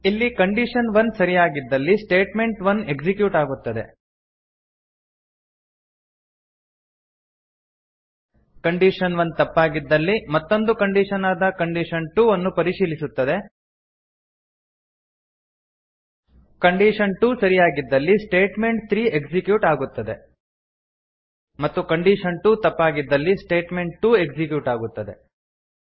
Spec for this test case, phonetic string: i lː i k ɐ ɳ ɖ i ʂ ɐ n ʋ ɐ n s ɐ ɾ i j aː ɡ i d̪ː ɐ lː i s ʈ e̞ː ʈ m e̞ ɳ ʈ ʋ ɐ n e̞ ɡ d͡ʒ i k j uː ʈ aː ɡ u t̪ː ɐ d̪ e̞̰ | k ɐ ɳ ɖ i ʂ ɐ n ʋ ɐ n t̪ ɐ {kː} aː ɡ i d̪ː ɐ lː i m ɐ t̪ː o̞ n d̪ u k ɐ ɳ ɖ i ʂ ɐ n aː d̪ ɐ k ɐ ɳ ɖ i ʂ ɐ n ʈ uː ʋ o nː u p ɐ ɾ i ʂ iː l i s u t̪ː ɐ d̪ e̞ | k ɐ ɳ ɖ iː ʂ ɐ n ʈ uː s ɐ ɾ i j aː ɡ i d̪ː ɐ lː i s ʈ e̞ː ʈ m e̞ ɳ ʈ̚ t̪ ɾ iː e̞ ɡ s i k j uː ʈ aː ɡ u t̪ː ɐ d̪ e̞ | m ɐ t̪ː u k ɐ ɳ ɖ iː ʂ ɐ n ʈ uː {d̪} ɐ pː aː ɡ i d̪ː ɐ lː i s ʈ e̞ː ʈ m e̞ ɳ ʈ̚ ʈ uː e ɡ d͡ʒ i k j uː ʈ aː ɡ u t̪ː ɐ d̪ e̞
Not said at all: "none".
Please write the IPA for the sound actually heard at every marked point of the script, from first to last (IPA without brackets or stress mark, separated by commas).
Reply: pː, t̪